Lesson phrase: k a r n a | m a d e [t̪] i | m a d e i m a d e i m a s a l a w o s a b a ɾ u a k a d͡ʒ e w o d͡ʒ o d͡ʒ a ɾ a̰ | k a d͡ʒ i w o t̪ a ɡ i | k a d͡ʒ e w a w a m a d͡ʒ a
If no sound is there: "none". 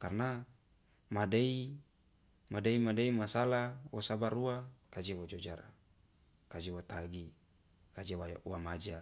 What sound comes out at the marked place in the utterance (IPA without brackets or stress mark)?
none